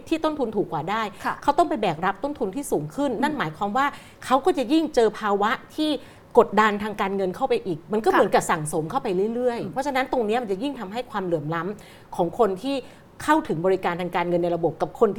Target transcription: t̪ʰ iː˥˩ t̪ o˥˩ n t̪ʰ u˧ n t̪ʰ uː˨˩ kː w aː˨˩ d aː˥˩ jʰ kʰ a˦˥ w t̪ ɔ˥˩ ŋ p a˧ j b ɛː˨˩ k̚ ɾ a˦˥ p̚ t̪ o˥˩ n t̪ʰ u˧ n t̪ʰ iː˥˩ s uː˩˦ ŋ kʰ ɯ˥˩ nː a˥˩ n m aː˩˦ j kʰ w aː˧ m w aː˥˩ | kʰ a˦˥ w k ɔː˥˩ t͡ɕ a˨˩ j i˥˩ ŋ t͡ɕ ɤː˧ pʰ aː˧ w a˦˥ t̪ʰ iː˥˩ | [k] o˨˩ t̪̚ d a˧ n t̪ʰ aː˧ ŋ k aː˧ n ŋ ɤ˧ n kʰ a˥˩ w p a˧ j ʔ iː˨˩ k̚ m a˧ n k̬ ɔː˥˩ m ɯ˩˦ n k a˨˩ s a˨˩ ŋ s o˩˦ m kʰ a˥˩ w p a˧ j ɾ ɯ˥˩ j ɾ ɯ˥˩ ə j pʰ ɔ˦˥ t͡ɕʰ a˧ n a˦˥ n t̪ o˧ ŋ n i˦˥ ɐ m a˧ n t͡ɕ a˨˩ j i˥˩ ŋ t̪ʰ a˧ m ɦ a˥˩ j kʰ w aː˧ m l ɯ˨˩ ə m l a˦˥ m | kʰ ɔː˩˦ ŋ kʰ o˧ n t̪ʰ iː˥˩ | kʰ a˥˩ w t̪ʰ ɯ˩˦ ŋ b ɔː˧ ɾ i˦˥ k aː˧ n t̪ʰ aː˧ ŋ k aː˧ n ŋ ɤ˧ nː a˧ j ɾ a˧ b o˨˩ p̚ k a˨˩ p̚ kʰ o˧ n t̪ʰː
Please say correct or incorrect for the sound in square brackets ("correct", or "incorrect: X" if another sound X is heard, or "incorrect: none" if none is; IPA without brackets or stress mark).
correct